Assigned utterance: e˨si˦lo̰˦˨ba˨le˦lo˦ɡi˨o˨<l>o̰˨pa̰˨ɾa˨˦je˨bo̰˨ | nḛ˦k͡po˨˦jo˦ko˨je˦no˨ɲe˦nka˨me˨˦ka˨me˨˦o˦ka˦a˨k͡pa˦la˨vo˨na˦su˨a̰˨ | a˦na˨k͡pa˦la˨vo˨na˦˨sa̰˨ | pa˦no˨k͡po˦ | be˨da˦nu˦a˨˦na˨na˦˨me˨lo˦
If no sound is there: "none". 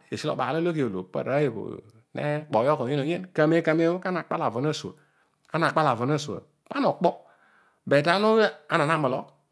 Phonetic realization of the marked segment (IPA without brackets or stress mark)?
l